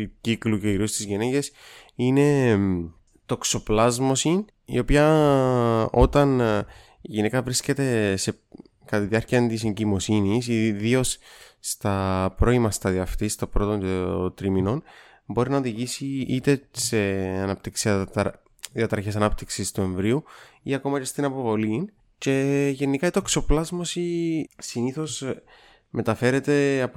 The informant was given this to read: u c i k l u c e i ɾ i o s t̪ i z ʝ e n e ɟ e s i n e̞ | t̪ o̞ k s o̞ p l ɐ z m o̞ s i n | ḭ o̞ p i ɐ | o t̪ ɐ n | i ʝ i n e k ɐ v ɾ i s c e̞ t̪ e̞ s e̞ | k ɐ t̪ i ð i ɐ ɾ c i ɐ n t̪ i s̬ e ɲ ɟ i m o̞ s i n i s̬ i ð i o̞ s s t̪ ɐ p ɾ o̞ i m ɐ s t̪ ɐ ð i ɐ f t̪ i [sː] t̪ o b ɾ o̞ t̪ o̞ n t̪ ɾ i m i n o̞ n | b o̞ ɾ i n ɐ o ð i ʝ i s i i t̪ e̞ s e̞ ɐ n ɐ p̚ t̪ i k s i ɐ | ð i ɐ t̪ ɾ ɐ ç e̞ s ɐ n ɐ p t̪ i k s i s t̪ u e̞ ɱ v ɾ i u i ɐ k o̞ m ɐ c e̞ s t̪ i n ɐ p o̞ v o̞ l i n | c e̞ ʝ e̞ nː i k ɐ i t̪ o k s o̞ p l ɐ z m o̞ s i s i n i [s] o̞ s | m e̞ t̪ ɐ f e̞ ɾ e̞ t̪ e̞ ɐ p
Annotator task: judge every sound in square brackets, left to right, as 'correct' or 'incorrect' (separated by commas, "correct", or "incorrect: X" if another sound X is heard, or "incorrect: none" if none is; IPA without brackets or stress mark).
incorrect: s, incorrect: θ